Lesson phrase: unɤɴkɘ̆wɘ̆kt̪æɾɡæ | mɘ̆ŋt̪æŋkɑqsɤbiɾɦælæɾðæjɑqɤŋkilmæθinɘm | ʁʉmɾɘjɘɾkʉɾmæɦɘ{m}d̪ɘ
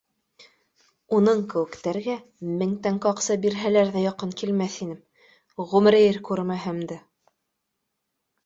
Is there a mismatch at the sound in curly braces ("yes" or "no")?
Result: no